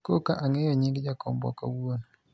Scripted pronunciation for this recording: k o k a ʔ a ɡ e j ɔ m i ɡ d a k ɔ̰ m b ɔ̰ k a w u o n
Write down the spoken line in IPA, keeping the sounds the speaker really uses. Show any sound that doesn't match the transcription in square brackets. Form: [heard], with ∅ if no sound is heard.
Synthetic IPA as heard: k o k a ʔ a [ŋ] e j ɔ [ɲ] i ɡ [d͡ʒ] a k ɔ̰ m b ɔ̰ k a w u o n